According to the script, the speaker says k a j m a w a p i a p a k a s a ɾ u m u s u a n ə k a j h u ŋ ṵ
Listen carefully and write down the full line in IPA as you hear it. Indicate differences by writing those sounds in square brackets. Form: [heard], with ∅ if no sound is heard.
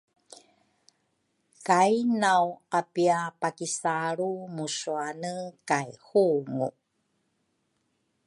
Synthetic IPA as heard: k a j [n] a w a p i a p a k [i] s a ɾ u m u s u a n ə k a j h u ŋ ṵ